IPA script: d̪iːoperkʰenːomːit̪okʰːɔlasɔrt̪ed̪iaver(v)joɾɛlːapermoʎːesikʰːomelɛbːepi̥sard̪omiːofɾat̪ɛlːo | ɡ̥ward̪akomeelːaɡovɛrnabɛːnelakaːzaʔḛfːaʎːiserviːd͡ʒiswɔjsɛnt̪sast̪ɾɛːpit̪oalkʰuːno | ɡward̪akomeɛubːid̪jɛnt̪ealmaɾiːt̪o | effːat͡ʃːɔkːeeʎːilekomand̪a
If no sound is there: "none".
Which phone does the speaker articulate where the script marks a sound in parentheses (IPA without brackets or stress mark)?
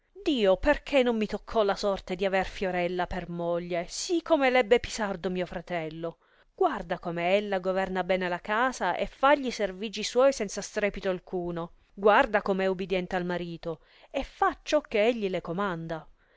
f